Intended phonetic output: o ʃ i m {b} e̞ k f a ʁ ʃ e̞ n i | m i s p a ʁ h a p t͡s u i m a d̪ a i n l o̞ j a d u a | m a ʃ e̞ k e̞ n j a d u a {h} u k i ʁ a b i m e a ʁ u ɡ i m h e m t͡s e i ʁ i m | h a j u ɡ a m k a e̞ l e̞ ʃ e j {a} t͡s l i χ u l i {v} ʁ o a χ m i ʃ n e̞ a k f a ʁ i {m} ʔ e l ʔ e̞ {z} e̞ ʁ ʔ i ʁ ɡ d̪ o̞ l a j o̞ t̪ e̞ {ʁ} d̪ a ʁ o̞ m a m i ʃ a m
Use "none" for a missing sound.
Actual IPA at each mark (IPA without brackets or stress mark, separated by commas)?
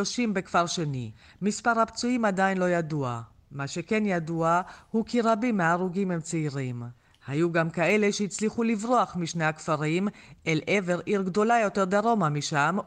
b, h, i, v, m, v, ʁ